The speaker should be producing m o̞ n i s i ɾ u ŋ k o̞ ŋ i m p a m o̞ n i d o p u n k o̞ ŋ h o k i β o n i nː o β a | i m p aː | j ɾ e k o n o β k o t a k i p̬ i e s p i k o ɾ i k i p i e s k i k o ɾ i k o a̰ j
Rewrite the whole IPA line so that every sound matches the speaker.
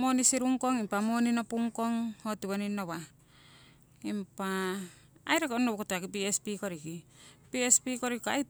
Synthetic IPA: m o̞ n i s i ɾ u ŋ k o̞ ŋ i m p a m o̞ n i n o p u ŋ k o̞ ŋ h o t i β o n i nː o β a | i m p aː | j ɾ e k o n o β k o t a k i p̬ i e s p i k o ɾ i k i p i e s p i k o ɾ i k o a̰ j